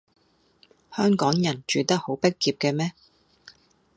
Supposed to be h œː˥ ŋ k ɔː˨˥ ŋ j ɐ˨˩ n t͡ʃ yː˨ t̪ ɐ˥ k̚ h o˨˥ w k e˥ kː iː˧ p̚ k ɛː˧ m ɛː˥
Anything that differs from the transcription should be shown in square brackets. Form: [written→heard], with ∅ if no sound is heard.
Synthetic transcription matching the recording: h œː˥ ŋ k ɔː˨˥ ŋ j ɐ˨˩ n t͡ʃ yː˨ t̪ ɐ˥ k̚ h o˨˥ w [k→p] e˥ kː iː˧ p̚ k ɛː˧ m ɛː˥